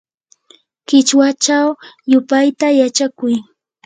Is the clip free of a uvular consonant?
yes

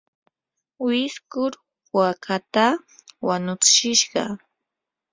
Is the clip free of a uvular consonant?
no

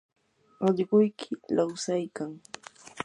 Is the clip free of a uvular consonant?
no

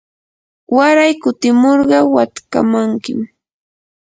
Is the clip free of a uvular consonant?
no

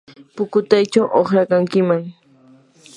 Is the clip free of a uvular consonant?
no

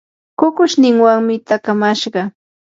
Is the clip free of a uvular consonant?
no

